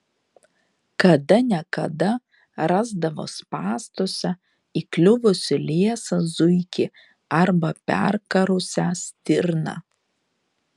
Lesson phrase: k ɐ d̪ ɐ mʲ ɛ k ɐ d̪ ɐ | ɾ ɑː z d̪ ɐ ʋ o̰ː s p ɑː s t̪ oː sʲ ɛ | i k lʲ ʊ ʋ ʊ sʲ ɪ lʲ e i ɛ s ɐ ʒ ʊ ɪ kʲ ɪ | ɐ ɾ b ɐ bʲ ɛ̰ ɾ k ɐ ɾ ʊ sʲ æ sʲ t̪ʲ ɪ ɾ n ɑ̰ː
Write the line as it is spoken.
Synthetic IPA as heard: k ɐ d̪ ɐ nʲ ɛ k ɐ d̪ ɐ | ɾ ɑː z d̪ ɐ ʋ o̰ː s p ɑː s t̪ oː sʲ ɛ | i k lʲ ʊ ʋ ʊ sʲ ɪ lʲ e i ɛ s ɐ z ʊ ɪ kʲ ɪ | ɐ ɾ b ɐ pʲ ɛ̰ ɾ k ɐ ɾ ʊ sʲ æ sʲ t̪ʲ ɪ ɾ n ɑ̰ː